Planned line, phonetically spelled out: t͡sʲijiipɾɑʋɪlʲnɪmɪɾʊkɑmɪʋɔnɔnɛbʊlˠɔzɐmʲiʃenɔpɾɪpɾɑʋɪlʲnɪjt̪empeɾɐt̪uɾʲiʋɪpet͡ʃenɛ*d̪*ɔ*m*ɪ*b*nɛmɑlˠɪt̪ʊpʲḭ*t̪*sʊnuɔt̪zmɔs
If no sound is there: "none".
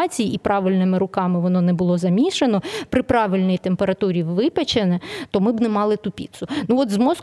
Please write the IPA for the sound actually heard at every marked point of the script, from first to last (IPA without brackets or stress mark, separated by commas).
t̪, m, b, t̪